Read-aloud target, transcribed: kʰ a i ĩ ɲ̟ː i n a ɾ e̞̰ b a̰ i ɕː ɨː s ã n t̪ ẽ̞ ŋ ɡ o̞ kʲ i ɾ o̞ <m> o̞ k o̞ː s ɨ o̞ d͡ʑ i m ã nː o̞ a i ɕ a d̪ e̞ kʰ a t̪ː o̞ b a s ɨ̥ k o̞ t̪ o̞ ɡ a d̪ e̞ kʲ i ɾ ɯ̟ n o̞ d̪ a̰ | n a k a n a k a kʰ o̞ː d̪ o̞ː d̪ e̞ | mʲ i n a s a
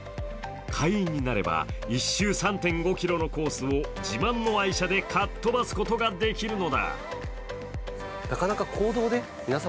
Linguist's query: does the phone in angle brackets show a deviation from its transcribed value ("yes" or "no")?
yes